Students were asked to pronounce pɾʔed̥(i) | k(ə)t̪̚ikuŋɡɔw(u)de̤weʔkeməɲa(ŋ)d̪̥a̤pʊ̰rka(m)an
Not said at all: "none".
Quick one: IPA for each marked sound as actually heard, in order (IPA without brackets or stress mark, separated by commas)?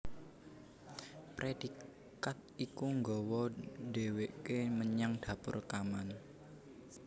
i, a, ɔ, ŋ, m